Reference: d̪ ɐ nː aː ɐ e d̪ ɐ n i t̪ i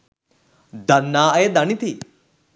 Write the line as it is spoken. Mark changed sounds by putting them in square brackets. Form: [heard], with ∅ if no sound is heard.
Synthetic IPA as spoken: d̪ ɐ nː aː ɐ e d̪ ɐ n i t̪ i

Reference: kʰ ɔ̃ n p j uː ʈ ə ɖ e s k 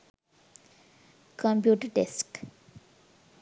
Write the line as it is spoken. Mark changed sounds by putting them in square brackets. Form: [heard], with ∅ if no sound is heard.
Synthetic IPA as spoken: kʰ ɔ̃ [m] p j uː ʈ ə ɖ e s k

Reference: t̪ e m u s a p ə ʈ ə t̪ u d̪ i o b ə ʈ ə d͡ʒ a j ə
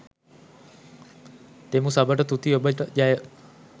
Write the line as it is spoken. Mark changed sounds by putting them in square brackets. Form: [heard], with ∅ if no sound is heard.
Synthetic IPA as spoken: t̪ e m u s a [b] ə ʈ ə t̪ u [t̪] i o b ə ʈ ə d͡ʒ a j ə

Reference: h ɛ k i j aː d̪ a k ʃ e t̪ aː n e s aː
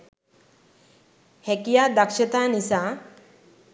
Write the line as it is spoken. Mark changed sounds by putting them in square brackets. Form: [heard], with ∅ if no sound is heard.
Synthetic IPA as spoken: h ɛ k i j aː d̪ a k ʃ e t̪ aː n [i] s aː

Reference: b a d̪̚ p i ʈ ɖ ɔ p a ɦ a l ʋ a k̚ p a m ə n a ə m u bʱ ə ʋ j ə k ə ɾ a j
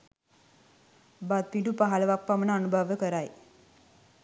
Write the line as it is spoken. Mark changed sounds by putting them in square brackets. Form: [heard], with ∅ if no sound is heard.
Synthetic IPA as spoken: b a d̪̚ p i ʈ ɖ [u] p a ɦ a l ʋ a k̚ p a m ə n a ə [n] u bʱ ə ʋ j ə k ə ɾ a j

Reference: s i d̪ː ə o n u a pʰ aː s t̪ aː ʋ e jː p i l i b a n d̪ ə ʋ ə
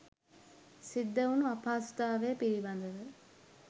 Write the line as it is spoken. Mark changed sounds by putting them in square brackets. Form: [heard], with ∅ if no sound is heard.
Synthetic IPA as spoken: s i d̪ː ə [u] n u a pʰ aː s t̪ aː ʋ e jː p i [ɾ] i b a n d̪ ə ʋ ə

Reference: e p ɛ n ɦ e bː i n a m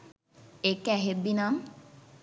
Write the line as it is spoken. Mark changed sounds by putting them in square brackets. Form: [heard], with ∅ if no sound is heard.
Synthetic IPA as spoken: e [k] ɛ [∅] ɦ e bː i n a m

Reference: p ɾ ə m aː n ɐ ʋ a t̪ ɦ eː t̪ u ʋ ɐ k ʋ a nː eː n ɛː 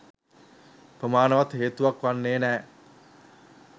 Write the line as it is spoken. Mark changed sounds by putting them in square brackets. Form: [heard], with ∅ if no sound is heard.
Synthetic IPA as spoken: p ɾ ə m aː n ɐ ʋ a t̪ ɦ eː t̪ u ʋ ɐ k ʋ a nː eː n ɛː

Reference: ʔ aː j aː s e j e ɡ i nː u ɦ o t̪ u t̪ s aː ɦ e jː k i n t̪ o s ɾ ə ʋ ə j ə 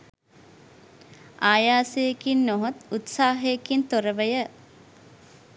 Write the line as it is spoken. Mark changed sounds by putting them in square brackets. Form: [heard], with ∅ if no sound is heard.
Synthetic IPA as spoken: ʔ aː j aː s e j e [k] i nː [o] ɦ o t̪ u t̪ s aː ɦ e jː k i n t̪ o [∅] ɾ ə ʋ ə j ə

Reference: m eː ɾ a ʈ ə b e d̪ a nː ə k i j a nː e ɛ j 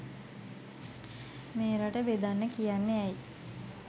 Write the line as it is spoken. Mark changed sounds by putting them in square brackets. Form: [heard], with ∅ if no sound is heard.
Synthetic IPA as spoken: m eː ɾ a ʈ ə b e d̪ a nː ə k i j a nː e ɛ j

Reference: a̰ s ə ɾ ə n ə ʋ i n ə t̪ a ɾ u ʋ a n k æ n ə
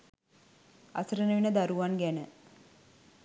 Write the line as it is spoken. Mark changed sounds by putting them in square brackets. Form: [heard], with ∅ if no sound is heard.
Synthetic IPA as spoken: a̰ s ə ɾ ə n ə ʋ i n ə [d̪] a ɾ u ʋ a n [ɡ] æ n ə

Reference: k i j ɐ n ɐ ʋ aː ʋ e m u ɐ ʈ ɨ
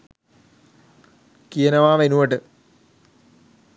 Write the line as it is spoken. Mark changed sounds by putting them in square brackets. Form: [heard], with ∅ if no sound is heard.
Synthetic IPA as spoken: k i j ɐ n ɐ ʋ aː ʋ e [n] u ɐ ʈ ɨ

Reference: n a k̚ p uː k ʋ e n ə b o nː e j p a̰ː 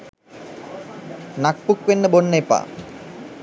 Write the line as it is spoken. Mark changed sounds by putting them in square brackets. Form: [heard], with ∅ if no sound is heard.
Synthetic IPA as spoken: n a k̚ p [u] k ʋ e [nː] ə b o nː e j p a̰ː

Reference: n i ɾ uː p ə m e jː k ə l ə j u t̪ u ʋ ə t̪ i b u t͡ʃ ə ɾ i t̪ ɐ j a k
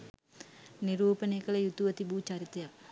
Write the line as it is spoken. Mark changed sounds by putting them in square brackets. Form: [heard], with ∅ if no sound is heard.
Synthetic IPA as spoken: n i ɾ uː p ə [n] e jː k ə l ə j u t̪ u ʋ ə t̪ i b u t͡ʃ [a] ɾ i t̪ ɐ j a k

